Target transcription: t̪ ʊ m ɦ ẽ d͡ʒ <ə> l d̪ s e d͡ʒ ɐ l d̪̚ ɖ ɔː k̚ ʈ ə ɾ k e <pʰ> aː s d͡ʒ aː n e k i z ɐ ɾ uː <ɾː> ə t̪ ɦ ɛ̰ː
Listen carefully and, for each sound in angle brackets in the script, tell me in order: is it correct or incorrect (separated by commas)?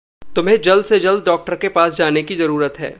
incorrect, incorrect, incorrect